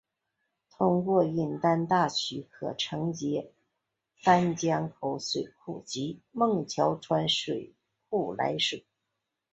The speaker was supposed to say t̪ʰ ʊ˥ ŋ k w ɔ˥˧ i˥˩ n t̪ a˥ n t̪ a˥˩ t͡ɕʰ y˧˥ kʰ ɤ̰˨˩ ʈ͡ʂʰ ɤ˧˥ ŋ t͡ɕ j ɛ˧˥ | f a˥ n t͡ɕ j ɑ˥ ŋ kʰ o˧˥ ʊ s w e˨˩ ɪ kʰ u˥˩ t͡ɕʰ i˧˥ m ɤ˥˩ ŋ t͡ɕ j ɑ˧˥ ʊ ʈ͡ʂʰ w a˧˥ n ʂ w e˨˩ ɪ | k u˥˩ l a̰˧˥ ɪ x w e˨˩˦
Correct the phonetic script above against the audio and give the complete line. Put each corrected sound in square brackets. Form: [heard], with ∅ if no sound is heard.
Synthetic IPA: t̪ʰ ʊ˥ ŋ k w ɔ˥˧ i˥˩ n t̪ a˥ n t̪ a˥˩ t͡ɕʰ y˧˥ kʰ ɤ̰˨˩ ʈ͡ʂʰ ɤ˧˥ ŋ t͡ɕ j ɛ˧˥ | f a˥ n t͡ɕ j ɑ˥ ŋ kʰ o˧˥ ʊ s w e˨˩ ɪ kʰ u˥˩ [t͡ɕ] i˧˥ m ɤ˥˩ ŋ [t͡ɕʰ] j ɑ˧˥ ʊ ʈ͡ʂʰ w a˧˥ n ʂ w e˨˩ ɪ | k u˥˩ l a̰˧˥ ɪ [ʂ] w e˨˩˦